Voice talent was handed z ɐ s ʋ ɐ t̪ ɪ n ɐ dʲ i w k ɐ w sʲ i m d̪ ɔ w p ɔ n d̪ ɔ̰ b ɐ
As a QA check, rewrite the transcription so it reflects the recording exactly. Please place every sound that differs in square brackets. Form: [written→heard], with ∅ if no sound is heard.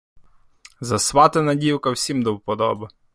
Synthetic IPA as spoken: z ɐ s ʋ [ɐ→ɑ] t̪ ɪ n ɐ dʲ i w k ɐ w sʲ i m d̪ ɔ w p ɔ [n→∅] d̪ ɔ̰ b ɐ